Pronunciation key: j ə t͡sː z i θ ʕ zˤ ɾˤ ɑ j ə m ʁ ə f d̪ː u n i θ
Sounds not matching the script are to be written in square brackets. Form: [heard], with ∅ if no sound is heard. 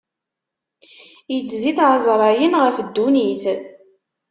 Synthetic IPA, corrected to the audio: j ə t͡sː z i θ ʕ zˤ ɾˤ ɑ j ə [n] ʁ ə f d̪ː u n i θ